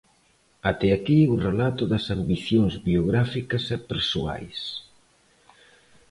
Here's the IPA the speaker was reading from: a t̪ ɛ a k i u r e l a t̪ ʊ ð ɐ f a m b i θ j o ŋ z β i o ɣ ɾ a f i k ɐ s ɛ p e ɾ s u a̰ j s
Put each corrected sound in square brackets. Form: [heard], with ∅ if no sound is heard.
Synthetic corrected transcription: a t̪ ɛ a k i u r e l a t̪ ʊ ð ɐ [s] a m b i θ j o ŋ z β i o ɣ ɾ a f i k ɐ s ɛ p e ɾ s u a̰ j s